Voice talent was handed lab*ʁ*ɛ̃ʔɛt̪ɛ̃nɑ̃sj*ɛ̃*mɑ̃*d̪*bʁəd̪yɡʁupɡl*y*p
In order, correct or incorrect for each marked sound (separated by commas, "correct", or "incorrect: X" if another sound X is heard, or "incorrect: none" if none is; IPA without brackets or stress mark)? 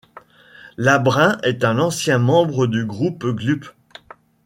correct, correct, incorrect: none, correct